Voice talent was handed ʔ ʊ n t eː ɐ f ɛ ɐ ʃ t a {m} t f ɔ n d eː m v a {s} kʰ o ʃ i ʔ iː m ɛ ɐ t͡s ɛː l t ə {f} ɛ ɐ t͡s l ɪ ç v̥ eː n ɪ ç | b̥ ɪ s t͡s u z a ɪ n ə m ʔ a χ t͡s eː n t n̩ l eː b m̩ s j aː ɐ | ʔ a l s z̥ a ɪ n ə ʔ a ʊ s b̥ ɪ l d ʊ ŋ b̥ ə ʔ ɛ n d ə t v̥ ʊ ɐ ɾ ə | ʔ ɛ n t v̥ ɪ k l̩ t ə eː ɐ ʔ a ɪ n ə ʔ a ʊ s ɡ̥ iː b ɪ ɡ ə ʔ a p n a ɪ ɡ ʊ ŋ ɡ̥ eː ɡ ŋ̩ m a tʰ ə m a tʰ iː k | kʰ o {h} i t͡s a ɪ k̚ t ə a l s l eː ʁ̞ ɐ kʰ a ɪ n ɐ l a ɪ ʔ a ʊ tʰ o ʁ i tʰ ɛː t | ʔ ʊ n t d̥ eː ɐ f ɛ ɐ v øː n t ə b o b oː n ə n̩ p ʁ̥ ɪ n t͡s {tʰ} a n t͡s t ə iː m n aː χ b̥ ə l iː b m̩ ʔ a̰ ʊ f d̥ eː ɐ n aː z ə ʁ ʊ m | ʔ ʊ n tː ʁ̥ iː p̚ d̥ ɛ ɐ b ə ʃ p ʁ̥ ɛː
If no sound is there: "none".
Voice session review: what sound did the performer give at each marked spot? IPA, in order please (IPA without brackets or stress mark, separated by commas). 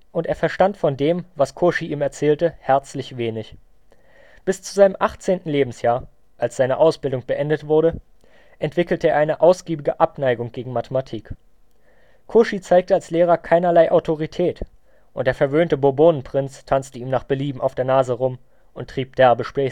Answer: n, s, h, ʃ, tʰ